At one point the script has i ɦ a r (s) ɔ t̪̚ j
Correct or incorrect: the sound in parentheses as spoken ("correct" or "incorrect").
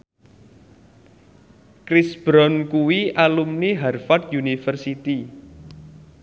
incorrect